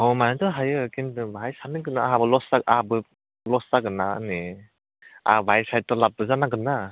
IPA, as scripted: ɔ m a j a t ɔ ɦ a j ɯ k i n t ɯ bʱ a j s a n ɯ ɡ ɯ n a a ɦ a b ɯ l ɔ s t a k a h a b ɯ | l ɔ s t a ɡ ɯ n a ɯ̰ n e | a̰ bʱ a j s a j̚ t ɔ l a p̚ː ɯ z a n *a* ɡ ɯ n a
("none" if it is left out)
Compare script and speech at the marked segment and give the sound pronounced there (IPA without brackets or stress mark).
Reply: a